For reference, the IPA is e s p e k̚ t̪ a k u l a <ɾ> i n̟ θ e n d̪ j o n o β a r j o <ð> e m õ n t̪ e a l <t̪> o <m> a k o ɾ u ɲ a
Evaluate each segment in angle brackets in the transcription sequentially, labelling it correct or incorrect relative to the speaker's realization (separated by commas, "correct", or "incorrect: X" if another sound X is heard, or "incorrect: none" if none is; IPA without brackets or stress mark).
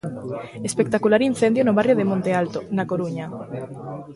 correct, correct, correct, incorrect: n